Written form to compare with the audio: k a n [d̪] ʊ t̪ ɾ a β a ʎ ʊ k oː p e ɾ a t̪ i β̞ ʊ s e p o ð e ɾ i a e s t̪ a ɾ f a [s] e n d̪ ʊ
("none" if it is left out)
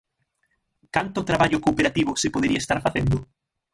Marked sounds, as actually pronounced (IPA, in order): t̪, θ

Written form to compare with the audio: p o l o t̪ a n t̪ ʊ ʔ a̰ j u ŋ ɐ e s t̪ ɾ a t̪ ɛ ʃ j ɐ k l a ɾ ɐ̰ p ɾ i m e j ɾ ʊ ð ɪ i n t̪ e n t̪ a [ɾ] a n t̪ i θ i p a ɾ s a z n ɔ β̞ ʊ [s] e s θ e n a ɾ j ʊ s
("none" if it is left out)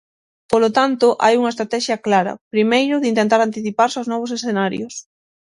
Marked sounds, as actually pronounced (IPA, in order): ɾ, s

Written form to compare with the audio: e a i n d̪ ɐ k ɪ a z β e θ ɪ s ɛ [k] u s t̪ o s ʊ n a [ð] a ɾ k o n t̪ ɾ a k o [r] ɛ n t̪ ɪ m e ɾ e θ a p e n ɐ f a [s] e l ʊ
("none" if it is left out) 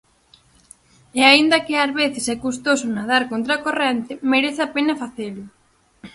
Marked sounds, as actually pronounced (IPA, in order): k, ð, r, θ

